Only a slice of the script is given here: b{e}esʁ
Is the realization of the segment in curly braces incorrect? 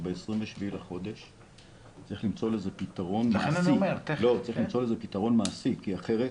no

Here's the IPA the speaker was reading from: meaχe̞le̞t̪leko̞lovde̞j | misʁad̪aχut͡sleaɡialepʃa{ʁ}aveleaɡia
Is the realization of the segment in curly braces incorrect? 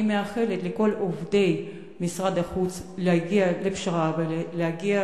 no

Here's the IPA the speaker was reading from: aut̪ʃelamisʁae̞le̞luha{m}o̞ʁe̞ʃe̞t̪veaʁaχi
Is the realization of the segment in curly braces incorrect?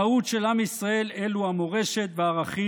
no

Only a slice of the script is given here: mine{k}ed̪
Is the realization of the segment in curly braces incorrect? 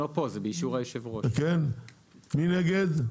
yes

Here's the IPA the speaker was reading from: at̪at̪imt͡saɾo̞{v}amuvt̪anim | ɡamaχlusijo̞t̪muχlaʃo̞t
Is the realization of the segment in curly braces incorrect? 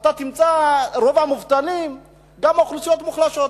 no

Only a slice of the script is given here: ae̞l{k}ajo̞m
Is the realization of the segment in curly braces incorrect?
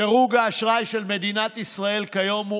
no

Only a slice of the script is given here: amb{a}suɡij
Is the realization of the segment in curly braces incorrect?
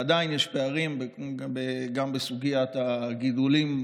yes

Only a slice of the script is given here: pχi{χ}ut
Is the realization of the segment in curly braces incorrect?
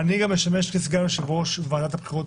yes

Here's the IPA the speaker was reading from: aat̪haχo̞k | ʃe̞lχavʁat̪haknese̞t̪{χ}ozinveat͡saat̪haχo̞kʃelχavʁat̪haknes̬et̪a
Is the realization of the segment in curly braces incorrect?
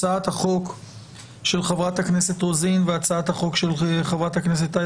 yes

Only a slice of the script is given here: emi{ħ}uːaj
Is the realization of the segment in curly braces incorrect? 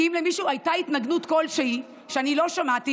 yes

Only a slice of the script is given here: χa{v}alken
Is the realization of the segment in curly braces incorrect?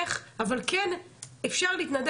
no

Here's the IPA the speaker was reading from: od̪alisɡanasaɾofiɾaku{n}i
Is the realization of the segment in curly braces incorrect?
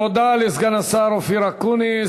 no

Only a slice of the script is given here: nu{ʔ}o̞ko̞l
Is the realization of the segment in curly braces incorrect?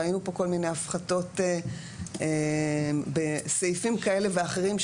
yes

